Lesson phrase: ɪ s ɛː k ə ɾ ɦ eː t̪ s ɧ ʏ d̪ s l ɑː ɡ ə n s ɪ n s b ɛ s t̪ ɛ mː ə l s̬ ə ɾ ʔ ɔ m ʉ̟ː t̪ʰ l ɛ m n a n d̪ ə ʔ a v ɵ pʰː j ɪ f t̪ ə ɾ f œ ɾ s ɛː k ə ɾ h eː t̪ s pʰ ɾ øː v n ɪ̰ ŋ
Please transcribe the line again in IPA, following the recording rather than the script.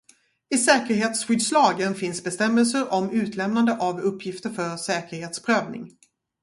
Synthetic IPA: ɪ s ɛː k ə ɾ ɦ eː t̪ s ɧ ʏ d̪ s l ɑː ɡ ə n f ɪ n s b ɛ s t̪ ɛ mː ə l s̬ ə ɾ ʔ ɔ m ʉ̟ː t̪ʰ l ɛ m n a n d̪ ə ʔ a v ɵ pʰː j ɪ f t̪ ə ɾ f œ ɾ s ɛː k ə ɾ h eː t̪ s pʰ ɾ øː v n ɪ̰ ŋ